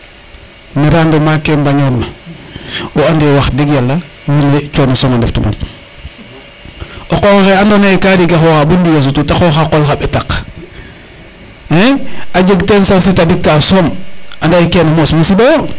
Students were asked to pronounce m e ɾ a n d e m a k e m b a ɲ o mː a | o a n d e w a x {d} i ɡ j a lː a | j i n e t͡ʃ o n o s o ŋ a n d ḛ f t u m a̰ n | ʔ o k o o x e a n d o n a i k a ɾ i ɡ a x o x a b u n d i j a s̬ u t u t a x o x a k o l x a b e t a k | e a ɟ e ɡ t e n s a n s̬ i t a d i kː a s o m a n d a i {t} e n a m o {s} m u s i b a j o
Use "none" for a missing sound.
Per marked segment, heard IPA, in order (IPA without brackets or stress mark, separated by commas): d, k, s